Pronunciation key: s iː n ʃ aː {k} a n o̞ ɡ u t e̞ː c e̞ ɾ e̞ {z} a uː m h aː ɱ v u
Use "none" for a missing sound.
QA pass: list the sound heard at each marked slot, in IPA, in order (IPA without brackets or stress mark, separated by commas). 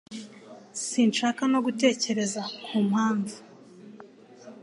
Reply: k, z